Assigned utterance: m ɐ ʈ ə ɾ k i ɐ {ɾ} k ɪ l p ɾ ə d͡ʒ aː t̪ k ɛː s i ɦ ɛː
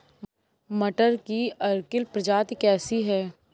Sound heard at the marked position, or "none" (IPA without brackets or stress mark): ɾ